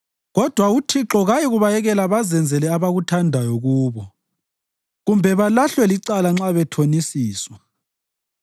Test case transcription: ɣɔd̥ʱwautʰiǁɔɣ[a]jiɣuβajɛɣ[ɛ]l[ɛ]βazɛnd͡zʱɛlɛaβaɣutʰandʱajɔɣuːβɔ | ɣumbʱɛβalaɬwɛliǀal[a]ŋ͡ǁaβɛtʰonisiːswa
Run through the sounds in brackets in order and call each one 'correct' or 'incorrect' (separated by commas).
correct, correct, incorrect, correct